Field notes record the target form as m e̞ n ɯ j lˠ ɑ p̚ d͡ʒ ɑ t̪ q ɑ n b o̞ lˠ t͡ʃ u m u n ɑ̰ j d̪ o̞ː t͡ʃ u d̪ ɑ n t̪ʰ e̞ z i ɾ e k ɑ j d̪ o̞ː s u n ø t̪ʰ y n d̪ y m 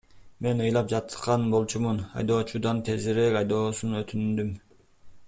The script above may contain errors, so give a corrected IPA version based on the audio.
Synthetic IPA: m e̞ n ɯ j lˠ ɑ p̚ d͡ʒ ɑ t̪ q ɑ n b o̞ lˠ t͡ʃ u m u n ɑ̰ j d̪ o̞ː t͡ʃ u d̪ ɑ n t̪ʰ e̞ z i ɾ e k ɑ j d̪ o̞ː s u n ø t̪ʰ y n d̪ y m